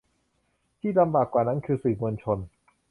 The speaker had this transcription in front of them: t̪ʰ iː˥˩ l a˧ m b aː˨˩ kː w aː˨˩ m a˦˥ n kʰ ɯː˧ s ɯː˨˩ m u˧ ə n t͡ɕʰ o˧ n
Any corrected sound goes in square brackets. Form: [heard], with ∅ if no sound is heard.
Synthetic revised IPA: t̪ʰ iː˥˩ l a˧ m b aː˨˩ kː w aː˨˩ [n] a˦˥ n kʰ ɯː˧ s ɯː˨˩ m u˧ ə n t͡ɕʰ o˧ n

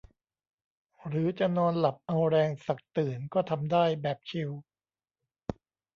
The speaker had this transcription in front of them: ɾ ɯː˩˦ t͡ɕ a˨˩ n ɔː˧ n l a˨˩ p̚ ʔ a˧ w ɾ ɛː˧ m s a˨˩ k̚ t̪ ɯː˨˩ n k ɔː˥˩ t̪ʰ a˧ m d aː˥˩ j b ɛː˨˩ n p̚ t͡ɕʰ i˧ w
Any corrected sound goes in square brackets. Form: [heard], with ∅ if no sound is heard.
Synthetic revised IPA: ɾ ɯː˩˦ t͡ɕ a˨˩ n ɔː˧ n l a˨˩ p̚ ʔ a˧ w ɾ ɛː˧ [ŋ] s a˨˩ k̚ t̪ ɯː˨˩ n k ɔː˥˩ t̪ʰ a˧ m d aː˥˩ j b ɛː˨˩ [∅] p̚ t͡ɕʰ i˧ w

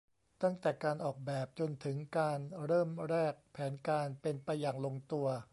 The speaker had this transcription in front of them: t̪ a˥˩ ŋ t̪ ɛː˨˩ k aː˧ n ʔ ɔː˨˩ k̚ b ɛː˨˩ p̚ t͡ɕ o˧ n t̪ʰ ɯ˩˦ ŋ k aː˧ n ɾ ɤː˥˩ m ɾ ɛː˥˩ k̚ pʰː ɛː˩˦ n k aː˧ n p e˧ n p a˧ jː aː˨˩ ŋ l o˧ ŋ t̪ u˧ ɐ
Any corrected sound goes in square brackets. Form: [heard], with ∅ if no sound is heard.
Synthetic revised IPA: t̪ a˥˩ ŋ t̪ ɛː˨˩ k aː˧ n ʔ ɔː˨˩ k̚ b ɛː˨˩ p̚ t͡ɕ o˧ n t̪ʰ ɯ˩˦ ŋ k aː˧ n ɾ ɤː˥˩ m ɾ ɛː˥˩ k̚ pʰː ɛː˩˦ n k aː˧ n p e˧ n p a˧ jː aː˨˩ ŋ l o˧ ŋ t̪ u˧ ɐ

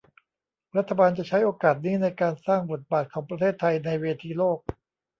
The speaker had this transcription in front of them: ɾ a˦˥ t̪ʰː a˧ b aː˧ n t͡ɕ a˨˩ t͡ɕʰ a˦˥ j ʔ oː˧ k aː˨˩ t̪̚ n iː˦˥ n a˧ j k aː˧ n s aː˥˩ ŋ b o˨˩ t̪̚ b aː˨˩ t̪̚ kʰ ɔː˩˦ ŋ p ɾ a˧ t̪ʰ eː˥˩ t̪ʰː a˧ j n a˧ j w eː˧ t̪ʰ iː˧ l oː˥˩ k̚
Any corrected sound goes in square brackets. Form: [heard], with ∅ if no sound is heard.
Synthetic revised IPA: ɾ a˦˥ t̪ʰː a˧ b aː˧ n t͡ɕ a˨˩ t͡ɕʰ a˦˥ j ʔ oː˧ k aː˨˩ t̪̚ n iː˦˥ n a˧ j k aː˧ n s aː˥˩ ŋ b o˨˩ t̪̚ b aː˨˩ t̪̚ kʰ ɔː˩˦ ŋ p ɾ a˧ t̪ʰ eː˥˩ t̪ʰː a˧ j n a˧ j w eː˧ t̪ʰ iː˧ l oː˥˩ k̚

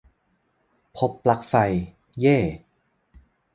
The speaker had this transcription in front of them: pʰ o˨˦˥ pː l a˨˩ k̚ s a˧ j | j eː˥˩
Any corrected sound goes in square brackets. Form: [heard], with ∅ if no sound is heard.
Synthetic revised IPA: pʰ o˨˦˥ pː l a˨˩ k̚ [f] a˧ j | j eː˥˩

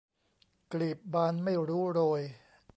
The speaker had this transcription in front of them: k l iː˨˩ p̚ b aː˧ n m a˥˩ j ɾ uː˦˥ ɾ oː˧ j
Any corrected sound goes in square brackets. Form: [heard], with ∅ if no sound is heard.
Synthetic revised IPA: k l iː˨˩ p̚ b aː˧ n m a˥˩ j ɾ uː˦˥ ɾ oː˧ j

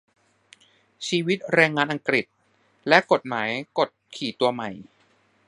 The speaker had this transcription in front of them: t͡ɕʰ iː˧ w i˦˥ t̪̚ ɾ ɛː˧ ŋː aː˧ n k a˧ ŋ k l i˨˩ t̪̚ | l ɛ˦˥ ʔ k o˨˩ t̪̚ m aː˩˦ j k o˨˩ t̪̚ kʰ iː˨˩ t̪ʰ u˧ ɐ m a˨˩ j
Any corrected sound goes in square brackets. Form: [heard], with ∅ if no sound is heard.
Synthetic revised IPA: t͡ɕʰ iː˧ w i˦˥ t̪̚ ɾ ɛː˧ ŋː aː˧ n [ʔ] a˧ ŋ k [ɾ] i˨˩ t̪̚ | l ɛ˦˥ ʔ k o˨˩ t̪̚ m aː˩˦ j k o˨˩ t̪̚ kʰ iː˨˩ [t̪] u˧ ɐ m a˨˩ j

